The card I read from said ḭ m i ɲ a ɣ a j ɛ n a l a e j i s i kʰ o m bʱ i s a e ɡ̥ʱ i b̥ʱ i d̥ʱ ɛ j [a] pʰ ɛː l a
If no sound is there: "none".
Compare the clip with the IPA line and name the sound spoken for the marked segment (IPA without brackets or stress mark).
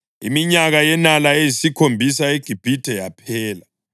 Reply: a